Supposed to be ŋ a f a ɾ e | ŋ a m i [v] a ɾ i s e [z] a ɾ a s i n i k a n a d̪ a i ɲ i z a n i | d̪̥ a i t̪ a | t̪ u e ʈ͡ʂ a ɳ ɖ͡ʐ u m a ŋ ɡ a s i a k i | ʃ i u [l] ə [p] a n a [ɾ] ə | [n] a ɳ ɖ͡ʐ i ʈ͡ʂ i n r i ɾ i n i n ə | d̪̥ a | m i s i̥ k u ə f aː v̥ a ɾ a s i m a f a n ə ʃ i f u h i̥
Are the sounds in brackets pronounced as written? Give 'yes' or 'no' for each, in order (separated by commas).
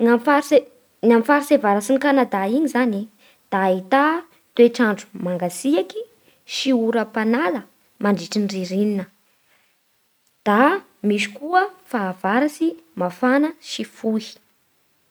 no, no, no, yes, no, no